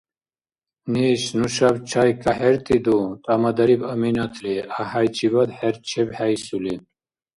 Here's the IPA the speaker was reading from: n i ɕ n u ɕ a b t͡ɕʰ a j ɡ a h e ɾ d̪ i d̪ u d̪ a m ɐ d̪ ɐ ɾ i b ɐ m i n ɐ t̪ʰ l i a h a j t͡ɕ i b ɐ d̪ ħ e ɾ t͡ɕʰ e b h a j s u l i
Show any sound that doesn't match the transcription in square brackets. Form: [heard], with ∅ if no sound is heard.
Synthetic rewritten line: n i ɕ n u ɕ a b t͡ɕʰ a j [k] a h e ɾ [t̪] i d̪ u [t̪] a m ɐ d̪ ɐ ɾ i b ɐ m i n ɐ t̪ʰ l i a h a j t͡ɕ i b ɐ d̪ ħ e ɾ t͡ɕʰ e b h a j s u l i